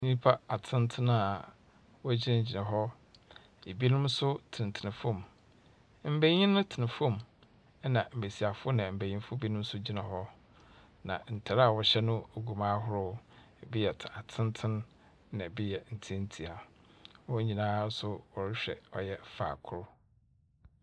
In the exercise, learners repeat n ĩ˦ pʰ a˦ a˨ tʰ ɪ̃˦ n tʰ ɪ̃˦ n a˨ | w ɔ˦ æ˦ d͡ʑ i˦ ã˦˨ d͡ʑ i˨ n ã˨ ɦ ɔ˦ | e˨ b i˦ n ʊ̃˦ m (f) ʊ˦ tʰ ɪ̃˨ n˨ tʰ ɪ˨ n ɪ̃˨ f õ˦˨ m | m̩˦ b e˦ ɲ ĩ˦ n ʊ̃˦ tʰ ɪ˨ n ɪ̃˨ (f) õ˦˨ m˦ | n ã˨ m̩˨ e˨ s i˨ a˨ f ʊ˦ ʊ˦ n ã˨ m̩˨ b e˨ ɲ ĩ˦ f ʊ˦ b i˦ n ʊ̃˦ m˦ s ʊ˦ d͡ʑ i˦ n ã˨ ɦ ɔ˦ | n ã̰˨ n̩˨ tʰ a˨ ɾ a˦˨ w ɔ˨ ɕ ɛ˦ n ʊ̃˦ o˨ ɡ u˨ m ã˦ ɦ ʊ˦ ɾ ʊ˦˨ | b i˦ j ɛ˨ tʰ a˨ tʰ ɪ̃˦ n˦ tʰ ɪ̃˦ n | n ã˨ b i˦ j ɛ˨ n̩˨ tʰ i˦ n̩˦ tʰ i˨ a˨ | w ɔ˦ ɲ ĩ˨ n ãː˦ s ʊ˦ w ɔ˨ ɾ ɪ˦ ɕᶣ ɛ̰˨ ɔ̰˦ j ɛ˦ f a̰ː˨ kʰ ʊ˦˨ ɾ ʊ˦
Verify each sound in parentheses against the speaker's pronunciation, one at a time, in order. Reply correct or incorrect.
incorrect: s, correct

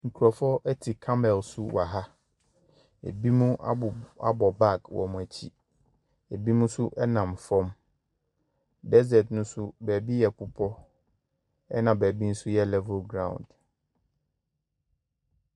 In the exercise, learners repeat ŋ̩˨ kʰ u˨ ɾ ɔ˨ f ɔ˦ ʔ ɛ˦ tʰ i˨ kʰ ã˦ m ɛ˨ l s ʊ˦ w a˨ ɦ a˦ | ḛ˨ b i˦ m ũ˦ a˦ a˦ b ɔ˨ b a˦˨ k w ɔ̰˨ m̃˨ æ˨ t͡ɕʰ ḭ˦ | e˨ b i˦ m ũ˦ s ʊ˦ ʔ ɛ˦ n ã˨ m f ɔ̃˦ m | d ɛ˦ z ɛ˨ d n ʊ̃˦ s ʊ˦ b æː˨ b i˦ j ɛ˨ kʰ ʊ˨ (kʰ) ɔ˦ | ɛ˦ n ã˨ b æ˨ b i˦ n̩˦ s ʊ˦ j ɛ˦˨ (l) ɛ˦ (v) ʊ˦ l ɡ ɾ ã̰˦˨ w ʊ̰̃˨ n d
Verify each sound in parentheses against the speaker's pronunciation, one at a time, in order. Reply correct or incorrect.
incorrect: pʰ, correct, correct

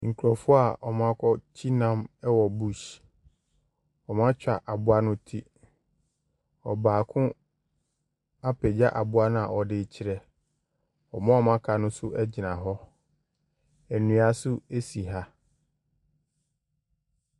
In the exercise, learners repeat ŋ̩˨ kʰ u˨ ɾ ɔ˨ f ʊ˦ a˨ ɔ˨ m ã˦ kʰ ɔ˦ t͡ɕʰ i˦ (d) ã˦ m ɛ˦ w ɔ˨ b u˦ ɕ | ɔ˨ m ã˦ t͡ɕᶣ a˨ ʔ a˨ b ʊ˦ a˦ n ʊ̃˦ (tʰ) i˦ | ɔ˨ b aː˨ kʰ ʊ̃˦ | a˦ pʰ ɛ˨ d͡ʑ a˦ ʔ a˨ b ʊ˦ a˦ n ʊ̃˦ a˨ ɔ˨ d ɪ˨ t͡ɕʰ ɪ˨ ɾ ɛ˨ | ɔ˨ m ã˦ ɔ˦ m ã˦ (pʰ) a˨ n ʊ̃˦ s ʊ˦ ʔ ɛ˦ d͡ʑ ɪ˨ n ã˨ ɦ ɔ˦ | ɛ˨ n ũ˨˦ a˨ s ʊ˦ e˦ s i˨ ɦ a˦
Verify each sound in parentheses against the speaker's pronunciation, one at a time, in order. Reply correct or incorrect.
incorrect: n, correct, incorrect: kʰ

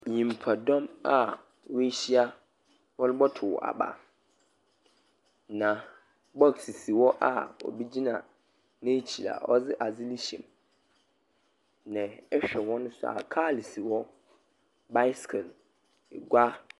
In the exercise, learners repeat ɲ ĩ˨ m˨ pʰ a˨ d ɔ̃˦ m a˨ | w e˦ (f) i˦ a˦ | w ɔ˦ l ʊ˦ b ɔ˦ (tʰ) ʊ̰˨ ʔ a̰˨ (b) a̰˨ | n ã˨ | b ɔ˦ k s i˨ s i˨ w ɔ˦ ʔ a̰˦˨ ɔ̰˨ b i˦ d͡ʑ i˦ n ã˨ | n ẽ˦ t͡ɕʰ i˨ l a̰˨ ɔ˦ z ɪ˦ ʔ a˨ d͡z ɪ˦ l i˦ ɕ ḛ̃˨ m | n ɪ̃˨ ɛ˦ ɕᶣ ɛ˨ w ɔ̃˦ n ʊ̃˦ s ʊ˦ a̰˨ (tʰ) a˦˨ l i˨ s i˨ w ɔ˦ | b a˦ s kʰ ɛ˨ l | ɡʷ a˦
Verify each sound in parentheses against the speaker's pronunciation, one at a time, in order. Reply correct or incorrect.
incorrect: ɕ, correct, correct, incorrect: kʰ

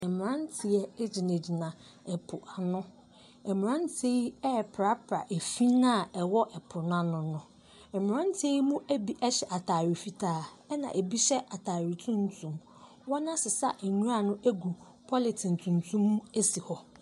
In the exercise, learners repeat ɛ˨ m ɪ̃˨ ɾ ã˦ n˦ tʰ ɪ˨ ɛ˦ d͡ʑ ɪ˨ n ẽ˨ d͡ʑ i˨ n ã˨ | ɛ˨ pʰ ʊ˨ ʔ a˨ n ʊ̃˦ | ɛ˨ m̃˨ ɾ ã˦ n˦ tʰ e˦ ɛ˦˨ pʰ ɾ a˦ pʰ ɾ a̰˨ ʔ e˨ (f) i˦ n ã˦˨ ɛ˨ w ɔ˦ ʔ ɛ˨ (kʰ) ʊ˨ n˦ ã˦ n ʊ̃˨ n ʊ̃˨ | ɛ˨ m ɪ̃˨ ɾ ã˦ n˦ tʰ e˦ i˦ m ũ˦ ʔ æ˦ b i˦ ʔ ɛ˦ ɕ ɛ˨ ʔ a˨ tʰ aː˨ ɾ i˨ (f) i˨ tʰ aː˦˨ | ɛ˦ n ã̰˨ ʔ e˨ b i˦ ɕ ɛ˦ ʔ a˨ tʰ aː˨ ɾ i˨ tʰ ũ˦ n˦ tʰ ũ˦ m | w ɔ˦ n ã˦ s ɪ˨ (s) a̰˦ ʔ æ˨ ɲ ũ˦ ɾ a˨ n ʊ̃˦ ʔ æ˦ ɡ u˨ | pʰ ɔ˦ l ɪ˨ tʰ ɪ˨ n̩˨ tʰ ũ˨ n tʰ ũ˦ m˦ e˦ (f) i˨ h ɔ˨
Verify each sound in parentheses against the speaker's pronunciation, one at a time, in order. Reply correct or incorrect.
correct, incorrect: pʰ, correct, correct, incorrect: s

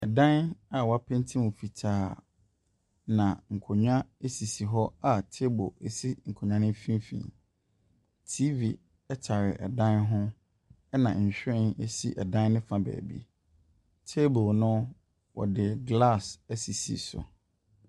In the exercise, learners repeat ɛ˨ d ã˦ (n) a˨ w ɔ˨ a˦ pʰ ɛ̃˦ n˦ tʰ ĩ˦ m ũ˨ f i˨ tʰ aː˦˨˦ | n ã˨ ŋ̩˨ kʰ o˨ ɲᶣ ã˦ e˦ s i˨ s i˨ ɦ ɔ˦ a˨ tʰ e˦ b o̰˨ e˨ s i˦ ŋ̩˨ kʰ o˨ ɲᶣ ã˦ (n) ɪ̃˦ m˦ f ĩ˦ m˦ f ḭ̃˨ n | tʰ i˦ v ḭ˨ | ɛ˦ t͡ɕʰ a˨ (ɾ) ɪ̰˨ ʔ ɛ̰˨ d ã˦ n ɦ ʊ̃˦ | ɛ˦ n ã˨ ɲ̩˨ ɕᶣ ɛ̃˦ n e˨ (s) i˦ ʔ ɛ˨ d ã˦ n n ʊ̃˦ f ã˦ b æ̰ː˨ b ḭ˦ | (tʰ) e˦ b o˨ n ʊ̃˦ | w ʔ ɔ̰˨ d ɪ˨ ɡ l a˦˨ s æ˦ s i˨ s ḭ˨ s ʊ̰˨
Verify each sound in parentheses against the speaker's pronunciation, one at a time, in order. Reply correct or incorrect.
correct, correct, correct, correct, correct

